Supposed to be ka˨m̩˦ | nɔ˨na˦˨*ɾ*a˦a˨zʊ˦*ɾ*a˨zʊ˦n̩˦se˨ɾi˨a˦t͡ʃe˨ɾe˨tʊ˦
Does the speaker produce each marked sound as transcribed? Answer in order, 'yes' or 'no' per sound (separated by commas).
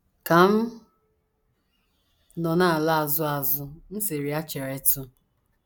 no, no